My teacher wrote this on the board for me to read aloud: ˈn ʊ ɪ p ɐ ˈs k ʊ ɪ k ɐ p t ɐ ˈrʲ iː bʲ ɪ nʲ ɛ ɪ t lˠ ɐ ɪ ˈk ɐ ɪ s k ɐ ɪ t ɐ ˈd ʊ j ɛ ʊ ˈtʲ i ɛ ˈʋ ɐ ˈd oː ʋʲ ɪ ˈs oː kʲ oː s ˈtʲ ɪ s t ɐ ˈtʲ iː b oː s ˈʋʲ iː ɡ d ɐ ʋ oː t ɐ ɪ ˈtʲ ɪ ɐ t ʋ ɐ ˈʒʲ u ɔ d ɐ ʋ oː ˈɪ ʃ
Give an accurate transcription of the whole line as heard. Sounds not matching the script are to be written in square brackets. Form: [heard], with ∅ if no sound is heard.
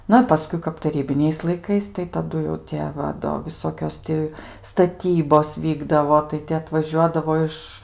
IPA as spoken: ˈn ʊ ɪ p ɐ ˈs k ʊ ɪ k ɐ p t ɐ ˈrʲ iː bʲ ɪ nʲ ɛ ɪ [s] lˠ ɐ ɪ ˈk ɐ ɪ s [t] ɐ ɪ t ɐ ˈd ʊ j ɛ ʊ ˈtʲ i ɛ ˈʋ ɐ ˈd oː ʋʲ ɪ ˈs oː kʲ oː s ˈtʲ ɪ s t ɐ ˈtʲ iː b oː s ˈʋʲ iː ɡ d ɐ ʋ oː t ɐ ɪ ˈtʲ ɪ ɐ t ʋ ɐ ˈʒʲ u ɔ d ɐ ʋ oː ˈɪ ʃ